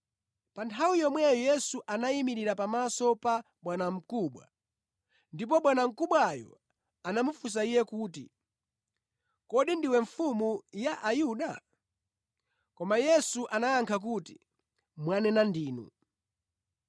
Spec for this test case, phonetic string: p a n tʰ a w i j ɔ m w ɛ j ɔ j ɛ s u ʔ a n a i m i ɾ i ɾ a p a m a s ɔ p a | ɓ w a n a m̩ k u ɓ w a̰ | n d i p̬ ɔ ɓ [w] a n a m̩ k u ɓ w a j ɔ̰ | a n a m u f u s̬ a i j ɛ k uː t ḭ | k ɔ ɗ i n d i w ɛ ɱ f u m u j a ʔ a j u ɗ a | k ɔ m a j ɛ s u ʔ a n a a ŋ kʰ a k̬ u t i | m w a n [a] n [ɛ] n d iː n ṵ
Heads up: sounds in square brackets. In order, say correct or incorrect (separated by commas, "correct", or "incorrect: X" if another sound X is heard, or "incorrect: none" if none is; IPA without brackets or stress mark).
correct, incorrect: ɛ, incorrect: a